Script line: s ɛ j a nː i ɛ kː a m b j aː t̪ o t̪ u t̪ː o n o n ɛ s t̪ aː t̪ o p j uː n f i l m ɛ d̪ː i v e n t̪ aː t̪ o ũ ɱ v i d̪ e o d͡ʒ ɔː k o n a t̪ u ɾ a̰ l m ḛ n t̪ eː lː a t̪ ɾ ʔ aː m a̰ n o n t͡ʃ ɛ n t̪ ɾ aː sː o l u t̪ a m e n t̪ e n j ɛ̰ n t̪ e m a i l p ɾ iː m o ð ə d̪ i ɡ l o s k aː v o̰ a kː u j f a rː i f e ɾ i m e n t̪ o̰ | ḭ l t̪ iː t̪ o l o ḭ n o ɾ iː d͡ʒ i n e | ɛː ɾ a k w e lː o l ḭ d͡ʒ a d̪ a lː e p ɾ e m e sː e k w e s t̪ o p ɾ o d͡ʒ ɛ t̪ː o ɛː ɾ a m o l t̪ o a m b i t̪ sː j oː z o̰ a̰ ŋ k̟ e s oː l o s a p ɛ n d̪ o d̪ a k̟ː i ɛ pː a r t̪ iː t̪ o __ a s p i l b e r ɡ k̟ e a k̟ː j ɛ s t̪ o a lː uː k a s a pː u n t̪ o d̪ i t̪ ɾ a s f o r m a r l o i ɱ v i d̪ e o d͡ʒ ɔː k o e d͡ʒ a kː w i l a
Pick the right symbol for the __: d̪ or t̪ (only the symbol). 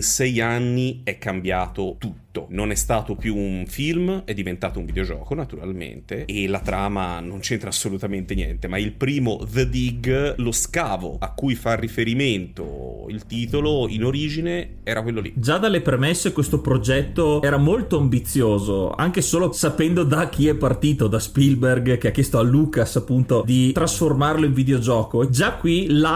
d̪